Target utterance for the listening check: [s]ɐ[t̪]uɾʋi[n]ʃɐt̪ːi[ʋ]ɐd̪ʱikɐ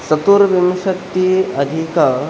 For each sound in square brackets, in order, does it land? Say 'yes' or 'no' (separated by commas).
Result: yes, yes, no, no